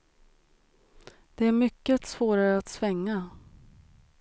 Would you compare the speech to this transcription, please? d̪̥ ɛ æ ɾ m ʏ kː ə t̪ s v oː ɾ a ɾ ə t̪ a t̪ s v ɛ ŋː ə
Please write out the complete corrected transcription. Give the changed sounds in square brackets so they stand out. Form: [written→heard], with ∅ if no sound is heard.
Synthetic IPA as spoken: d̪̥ ɛ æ ɾ m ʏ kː ə t̪ s v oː ɾ a ɾ ə [t̪→∅] a t̪ s v ɛ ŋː [ə→a]